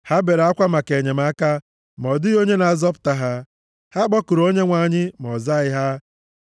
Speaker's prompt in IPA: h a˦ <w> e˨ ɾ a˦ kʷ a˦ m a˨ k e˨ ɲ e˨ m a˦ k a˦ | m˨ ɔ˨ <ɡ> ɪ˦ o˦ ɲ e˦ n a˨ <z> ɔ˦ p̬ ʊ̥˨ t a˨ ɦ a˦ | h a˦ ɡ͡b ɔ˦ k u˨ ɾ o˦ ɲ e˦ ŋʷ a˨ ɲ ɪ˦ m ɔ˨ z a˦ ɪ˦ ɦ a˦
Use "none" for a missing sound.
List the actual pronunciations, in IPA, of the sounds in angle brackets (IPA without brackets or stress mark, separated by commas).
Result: b, d, z